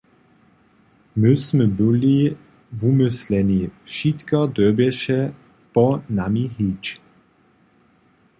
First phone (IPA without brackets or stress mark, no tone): m